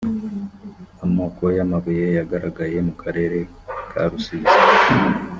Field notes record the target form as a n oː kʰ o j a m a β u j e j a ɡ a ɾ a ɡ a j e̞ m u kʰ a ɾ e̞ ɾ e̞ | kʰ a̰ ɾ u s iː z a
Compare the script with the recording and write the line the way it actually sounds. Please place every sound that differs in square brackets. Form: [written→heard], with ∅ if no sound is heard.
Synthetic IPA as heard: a [n→m] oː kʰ o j a m a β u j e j a ɡ a ɾ a ɡ a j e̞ m u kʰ a ɾ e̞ ɾ e̞ | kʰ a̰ ɾ u s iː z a